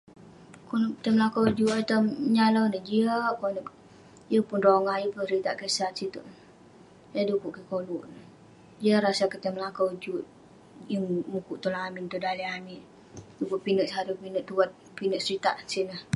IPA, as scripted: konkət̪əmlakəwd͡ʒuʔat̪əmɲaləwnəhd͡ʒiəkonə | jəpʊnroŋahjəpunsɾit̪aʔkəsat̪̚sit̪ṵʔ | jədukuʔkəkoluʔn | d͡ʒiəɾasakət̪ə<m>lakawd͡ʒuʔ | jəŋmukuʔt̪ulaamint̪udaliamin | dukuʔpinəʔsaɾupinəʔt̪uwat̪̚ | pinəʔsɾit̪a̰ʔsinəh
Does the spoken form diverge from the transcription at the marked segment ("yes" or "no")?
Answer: no